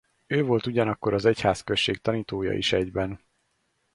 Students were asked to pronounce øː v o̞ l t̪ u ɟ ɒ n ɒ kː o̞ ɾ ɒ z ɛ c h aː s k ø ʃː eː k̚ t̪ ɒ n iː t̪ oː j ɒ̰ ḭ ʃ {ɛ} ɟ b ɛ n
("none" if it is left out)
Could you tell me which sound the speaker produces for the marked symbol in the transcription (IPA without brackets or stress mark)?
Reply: ɛ